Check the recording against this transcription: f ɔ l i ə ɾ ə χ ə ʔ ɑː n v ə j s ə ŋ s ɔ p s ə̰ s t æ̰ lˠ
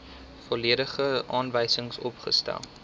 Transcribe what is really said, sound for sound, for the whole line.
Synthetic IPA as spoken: f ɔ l i ə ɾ ə χ ə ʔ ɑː n v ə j s ə ŋ s ɔ p χ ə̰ s t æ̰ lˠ